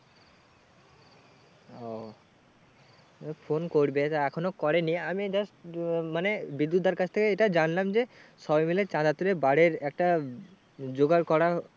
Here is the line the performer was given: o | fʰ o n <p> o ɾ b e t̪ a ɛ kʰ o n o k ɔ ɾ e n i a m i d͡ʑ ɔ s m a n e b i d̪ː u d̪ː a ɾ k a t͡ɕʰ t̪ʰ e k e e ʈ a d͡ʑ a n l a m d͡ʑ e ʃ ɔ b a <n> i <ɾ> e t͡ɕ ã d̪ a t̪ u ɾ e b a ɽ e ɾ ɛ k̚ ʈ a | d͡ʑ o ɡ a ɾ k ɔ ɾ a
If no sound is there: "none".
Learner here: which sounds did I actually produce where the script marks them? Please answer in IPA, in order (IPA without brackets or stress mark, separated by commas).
k, m, l